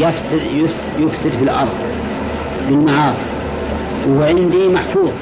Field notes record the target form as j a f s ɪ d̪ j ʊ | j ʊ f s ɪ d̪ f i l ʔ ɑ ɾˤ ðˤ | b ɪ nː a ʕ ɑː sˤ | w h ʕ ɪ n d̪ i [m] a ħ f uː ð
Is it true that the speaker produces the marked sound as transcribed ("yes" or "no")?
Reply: yes